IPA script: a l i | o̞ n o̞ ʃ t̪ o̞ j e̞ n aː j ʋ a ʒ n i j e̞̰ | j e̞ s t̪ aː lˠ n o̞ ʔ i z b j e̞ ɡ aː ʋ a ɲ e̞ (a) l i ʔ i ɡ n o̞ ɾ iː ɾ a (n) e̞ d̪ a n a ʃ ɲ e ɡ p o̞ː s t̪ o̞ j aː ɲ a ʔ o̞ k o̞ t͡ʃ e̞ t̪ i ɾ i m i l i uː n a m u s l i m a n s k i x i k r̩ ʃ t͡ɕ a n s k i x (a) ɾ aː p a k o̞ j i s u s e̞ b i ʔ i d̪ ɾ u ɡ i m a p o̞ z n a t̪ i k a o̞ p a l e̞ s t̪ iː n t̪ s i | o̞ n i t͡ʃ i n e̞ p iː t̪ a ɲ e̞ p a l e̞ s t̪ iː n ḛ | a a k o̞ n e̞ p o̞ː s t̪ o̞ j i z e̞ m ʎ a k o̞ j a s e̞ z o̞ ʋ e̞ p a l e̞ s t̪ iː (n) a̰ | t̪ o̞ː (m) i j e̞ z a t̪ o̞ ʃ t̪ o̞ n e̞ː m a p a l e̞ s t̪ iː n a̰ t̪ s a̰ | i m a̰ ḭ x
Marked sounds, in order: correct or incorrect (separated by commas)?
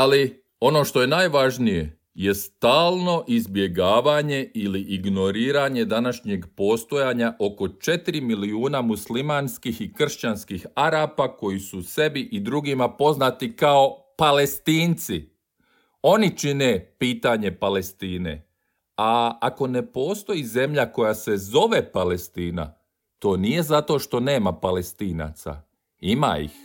incorrect, incorrect, correct, correct, incorrect